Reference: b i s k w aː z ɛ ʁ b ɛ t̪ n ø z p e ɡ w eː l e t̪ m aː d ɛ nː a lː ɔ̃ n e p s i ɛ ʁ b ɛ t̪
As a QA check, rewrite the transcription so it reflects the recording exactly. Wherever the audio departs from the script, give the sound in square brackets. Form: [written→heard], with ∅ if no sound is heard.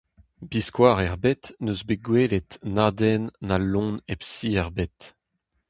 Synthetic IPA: b i s k w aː [z→ʁ] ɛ ʁ b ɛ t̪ n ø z [p→b] e ɡ w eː l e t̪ [m→n] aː d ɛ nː a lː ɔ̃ n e p s i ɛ ʁ b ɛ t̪